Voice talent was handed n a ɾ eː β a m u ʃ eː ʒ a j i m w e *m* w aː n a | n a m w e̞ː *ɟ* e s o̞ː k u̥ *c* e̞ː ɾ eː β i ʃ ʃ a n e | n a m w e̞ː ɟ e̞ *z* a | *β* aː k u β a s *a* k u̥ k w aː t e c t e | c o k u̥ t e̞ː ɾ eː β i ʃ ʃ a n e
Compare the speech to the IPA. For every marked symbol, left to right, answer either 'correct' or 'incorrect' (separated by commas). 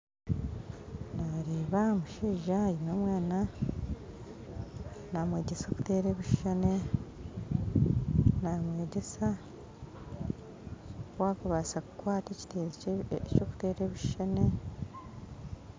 correct, correct, incorrect, incorrect, incorrect, correct